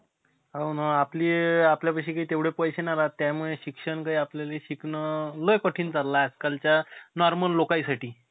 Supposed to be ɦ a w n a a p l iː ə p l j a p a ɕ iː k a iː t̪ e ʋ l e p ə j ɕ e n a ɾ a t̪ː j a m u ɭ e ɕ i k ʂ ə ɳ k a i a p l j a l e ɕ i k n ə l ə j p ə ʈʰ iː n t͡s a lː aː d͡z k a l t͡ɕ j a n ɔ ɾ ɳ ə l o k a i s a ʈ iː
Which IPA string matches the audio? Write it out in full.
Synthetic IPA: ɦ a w n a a p l iː a p l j a p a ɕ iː k a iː t̪ e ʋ ɽ e p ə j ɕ e n a ɾ a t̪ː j a m u ɭ e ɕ i k ʂ ə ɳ k a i a p l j a l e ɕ i k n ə l ə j k ə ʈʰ iː n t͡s a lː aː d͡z k a l t͡ɕ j a n ɔ ɾ m ə lː o k a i s a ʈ iː